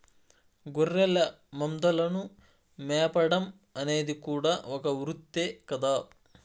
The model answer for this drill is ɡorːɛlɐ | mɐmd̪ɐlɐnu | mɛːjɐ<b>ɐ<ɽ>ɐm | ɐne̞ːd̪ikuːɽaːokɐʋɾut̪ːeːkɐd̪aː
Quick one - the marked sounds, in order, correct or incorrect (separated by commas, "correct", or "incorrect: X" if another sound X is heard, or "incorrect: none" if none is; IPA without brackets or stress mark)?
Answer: incorrect: p, correct